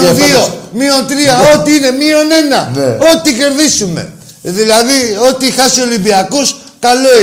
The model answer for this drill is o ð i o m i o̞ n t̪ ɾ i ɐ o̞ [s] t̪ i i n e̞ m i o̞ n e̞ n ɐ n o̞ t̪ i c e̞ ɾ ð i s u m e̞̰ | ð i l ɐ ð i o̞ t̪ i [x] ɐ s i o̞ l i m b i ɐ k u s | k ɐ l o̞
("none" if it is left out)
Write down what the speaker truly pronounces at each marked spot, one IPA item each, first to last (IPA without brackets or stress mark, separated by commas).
none, x